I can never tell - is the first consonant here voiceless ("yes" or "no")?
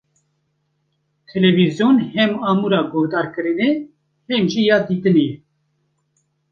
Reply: yes